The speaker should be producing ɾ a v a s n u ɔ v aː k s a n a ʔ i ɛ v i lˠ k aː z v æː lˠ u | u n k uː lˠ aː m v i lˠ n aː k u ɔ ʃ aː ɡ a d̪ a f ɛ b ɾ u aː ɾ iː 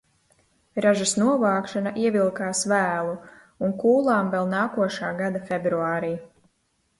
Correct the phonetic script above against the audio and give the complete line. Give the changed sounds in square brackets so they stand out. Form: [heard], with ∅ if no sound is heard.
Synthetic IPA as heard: ɾ a [ʒ] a s n u ɔ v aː k [ʃ] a n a ʔ i ɛ v i lˠ k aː [s] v æː lˠ u | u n k uː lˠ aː m v [ɛ] lˠ n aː k u ɔ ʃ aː ɡ a d̪ a f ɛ b ɾ u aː ɾ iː